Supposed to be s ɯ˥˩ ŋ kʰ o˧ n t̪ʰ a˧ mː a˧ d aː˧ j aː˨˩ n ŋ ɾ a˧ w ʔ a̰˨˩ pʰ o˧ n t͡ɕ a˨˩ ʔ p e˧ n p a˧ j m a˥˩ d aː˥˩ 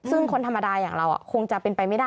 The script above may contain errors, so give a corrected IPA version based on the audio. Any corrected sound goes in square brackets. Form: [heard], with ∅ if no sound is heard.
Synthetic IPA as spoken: s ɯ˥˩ ŋ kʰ o˧ n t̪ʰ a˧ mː a˧ d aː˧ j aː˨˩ [∅] ŋ ɾ a˧ w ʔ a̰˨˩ [kʰ] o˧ [ŋ] t͡ɕ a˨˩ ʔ p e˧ n p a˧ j m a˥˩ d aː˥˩